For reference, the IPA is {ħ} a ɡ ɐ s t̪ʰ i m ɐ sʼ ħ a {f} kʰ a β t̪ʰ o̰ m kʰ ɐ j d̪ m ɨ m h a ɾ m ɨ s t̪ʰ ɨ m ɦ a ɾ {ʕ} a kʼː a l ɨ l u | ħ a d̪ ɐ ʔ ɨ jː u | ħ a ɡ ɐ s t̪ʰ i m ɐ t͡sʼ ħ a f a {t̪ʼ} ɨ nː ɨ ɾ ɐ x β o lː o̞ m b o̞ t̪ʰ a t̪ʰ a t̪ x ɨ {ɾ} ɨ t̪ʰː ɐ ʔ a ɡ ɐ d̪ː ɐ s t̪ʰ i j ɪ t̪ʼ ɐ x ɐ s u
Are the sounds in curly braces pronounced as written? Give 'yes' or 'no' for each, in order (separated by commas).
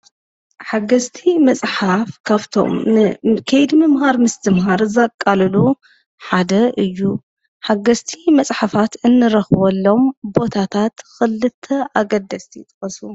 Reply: yes, yes, no, no, no